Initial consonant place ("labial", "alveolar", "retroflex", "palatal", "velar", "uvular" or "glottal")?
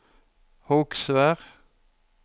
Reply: glottal